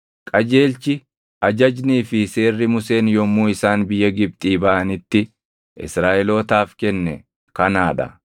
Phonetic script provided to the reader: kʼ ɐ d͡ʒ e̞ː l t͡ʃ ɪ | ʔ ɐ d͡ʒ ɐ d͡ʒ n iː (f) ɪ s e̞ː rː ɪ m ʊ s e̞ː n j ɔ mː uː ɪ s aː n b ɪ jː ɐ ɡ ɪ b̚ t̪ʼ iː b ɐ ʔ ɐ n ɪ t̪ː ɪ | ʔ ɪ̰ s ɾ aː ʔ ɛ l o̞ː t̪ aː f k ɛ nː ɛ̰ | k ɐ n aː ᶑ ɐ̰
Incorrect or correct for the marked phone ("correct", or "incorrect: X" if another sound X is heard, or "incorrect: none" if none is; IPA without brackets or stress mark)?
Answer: correct